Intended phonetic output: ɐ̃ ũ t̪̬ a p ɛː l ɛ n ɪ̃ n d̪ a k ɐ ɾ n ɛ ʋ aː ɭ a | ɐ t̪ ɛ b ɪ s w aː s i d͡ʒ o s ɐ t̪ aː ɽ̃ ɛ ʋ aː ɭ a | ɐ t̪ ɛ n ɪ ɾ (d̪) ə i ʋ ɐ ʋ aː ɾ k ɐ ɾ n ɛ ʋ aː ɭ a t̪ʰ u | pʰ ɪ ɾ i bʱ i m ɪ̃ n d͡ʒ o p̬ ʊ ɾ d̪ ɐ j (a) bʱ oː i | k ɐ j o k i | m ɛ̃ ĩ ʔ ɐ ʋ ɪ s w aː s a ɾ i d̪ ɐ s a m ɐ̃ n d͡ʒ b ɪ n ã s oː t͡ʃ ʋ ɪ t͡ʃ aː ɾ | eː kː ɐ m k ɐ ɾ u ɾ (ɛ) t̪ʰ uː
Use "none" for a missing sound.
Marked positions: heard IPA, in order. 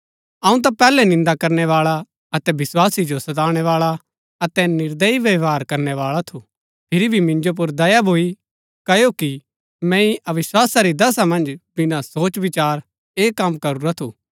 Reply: d̪, a, a

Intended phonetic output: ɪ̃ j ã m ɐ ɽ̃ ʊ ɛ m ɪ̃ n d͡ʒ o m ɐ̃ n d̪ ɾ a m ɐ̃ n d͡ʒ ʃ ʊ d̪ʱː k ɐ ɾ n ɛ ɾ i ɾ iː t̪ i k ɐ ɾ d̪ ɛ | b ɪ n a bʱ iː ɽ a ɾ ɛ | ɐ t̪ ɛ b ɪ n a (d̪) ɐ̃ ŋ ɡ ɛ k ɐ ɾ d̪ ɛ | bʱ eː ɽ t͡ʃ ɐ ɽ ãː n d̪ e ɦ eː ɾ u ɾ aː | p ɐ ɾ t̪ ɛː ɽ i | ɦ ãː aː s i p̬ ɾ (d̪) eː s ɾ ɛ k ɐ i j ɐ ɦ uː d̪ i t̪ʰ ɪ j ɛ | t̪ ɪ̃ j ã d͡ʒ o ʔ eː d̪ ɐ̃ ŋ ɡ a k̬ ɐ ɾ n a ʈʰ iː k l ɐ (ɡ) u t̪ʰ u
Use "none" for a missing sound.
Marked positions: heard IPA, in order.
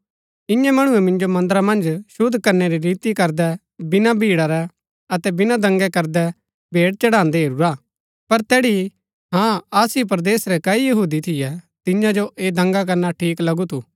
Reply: d̪, d̪, ɡ

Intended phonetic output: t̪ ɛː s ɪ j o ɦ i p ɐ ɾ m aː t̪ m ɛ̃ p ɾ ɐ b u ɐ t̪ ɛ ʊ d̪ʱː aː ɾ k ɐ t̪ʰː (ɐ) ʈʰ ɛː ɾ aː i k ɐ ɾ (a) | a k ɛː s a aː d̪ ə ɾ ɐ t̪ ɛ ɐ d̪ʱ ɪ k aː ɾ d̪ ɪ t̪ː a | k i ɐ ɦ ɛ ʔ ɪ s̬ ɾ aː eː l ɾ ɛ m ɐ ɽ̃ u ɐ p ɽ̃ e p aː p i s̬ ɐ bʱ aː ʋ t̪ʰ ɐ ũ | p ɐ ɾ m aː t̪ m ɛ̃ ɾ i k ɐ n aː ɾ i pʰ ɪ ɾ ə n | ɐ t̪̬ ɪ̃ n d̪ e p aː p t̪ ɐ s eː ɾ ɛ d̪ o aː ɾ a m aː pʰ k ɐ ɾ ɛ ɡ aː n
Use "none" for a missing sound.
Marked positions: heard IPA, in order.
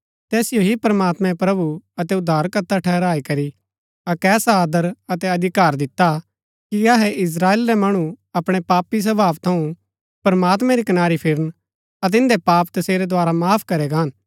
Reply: a, i

